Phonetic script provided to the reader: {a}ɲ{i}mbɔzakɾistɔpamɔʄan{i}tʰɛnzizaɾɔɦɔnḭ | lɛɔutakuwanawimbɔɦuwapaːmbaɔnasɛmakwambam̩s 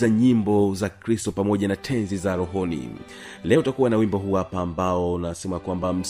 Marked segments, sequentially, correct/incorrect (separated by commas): correct, correct, incorrect